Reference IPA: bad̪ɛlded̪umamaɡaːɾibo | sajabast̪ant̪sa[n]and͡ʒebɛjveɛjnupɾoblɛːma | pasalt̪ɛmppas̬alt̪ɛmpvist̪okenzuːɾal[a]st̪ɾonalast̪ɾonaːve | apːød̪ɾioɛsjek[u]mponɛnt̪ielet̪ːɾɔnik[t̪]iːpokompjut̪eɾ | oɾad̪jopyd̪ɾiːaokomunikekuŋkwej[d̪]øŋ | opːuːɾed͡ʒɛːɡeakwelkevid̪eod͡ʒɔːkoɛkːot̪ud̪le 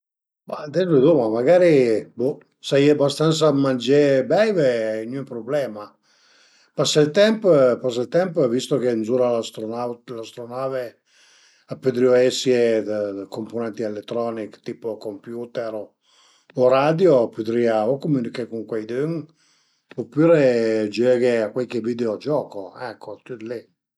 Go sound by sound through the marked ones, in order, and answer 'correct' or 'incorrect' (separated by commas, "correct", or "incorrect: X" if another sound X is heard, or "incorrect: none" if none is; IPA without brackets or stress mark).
incorrect: m, correct, incorrect: o, correct, correct